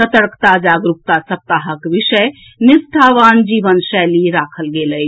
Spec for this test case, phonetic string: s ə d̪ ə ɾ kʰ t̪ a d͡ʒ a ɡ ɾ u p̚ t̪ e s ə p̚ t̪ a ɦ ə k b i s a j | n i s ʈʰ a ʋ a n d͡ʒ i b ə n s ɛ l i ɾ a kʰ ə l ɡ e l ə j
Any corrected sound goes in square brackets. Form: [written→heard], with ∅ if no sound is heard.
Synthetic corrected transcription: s ə [d̪→t̪] ə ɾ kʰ t̪ a d͡ʒ a ɡ ɾ u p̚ t̪ [e→a] s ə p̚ t̪ a ɦ ə k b i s [a→ə] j | n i s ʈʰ a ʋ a n d͡ʒ i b ə n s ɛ l i ɾ a kʰ ə l ɡ e l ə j